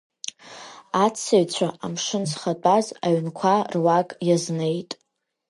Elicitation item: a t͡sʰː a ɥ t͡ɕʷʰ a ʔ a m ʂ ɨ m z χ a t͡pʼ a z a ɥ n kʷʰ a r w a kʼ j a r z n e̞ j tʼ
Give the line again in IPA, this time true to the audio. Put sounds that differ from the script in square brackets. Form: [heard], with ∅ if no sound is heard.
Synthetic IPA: a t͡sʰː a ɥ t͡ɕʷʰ a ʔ a m ʂ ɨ [n] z χ a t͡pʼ a z a ɥ n kʷʰ a r w a kʼ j a [∅] z n e̞ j tʼ

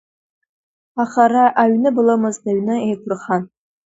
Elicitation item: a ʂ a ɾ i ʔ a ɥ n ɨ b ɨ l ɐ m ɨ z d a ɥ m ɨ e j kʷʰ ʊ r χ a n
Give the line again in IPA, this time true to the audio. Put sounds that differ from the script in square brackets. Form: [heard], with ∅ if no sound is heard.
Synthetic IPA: a [χ] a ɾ [a] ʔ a ɥ n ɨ b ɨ l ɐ m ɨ z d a ɥ [n] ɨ e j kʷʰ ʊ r χ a n

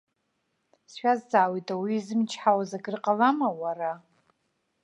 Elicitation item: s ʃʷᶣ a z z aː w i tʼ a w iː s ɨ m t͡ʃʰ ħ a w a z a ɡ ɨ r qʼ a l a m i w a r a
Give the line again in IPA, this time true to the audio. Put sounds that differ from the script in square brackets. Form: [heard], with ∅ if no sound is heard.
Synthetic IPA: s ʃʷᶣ a z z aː w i tʼ a w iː [z] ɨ m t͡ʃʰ ħ a w a z a ɡ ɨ r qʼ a l a m [a] w a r a

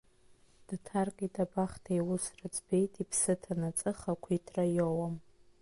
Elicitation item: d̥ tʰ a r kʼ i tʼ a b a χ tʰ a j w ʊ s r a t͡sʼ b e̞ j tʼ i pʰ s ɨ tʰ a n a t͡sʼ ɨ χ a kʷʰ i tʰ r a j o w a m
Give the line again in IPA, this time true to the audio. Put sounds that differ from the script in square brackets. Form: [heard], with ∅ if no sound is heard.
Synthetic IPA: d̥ tʰ a r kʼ i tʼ a b a χ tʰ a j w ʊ s r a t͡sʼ b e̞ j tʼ i pʰ s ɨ tʰ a n a t͡sʼ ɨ χ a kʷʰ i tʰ r a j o w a m

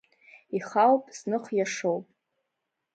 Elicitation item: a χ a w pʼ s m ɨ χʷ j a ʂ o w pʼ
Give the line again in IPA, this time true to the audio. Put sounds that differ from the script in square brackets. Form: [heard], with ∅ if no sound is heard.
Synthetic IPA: [i] χ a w pʼ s [n] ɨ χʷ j a ʂ o w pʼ

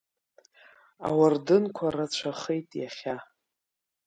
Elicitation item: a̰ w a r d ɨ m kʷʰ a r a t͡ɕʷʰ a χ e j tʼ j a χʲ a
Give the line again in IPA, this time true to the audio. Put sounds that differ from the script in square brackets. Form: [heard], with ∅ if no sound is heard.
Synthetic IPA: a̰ w a r d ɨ [n] kʷʰ a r a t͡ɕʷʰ a χ e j tʼ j a χʲ a

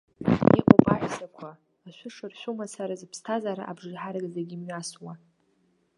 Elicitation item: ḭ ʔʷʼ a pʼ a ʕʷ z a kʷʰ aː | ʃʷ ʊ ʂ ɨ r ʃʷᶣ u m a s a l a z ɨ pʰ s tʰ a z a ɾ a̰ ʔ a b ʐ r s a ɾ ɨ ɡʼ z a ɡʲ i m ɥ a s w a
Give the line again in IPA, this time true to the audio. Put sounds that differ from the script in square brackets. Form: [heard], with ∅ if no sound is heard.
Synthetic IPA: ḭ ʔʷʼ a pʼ a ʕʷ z a kʷʰ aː | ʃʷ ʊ ʂ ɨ r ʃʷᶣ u m a s a [ɾ] a z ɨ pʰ s tʰ a z a ɾ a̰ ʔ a b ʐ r [ħ] a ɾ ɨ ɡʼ z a ɡʲ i m ɥ a s w a

